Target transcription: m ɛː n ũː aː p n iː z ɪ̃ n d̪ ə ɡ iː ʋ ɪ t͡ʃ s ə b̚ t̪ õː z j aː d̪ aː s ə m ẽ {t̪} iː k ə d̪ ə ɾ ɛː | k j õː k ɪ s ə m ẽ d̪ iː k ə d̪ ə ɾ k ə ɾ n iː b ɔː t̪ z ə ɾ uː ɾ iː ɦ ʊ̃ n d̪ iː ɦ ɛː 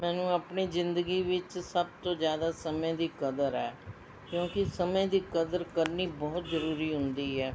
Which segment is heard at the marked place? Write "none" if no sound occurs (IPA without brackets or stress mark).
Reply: d̪